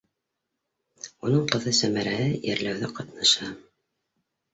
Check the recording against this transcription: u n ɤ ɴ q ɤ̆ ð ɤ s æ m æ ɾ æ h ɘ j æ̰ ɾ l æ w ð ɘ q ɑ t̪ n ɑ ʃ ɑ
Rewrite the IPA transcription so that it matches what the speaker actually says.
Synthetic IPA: u n ɤ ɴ q ɤ̆ ð ɤ s æ m æ ɾ æ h ɘ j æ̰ ɾ l æ w ð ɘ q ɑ t̪ n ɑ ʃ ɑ